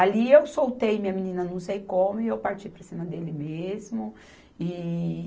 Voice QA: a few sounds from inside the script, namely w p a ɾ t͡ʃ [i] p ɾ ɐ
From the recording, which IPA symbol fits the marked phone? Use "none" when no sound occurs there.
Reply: i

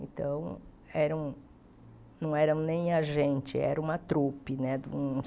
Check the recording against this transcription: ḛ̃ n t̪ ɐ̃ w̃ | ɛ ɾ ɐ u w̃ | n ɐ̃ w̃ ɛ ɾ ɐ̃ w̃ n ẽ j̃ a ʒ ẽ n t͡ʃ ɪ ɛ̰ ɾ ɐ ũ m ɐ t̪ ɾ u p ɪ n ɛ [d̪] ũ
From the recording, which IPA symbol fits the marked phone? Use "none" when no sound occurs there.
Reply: d̪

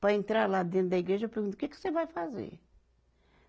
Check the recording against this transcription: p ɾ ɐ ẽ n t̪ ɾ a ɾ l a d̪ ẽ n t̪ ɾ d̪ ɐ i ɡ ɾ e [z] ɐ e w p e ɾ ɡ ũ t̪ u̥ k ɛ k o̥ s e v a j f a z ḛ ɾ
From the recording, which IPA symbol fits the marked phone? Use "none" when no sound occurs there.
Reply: ʒ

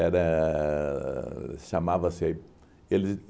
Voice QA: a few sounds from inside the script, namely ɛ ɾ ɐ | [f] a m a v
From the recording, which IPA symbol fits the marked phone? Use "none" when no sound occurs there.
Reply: ʃ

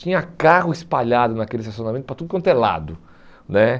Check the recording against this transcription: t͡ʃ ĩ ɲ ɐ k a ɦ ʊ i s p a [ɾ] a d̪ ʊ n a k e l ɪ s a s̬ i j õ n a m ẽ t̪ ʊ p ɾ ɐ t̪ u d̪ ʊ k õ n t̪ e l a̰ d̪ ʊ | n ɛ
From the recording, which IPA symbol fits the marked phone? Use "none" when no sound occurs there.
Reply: ʎ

